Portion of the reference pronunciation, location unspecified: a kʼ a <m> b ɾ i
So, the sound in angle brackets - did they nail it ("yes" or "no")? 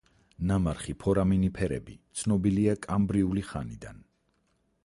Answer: yes